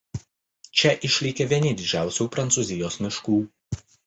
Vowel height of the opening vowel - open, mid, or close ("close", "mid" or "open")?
mid